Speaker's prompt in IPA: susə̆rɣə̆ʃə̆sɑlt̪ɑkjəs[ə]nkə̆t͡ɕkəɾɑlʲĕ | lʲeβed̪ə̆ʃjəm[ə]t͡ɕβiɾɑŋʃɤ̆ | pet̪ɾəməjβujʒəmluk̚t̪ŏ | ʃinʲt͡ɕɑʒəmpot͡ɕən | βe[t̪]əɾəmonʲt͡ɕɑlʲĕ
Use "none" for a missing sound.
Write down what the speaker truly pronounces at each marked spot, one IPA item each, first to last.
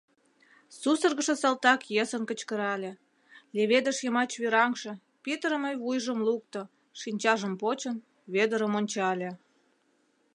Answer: ə, ɑ, d̪

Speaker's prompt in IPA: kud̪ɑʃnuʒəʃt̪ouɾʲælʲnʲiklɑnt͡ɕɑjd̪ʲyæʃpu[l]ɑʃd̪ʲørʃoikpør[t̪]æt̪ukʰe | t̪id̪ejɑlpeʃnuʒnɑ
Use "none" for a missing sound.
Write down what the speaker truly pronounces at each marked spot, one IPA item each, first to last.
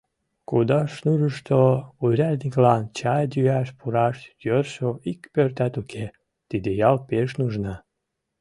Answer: ɾ, t̪

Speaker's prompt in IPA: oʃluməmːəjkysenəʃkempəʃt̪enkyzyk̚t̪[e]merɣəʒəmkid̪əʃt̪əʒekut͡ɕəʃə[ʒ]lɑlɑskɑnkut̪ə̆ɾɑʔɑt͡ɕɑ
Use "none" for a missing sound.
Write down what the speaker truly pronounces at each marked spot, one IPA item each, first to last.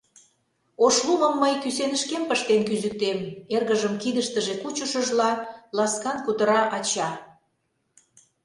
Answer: e, ʒ

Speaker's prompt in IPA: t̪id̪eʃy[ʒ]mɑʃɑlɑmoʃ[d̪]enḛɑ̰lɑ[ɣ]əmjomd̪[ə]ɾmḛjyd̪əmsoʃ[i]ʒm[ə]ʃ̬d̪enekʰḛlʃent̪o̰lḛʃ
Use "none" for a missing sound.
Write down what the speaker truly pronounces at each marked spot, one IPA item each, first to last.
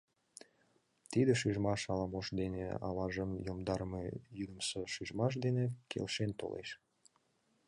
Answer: ʒ, d̪, ʒ, ɑ, y, ɑ

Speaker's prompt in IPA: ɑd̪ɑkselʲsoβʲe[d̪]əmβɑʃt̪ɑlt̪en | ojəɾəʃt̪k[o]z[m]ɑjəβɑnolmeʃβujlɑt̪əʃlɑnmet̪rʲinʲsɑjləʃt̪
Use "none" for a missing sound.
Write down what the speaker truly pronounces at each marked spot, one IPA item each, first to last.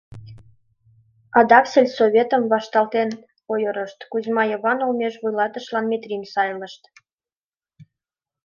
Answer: t̪, u, m

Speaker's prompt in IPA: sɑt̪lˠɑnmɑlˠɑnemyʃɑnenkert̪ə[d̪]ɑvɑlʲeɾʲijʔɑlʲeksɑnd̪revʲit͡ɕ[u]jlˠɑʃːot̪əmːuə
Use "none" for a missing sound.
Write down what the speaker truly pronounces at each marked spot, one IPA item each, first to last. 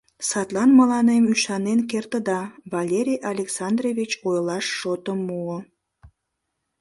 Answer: d̪, o

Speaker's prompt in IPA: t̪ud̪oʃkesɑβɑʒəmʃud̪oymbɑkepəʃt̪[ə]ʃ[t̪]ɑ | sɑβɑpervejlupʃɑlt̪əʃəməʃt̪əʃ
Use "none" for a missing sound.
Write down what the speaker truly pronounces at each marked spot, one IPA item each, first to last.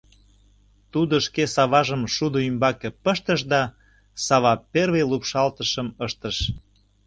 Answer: ə, d̪

